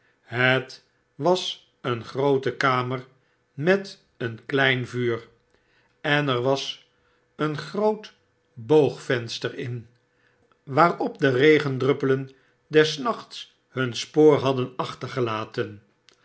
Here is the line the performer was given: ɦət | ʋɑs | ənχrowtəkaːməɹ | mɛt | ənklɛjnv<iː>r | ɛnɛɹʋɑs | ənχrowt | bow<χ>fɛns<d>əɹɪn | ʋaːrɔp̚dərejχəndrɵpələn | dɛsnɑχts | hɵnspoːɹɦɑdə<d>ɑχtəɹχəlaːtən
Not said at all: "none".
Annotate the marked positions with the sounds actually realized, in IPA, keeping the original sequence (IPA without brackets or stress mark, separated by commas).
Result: yː, χ, t, n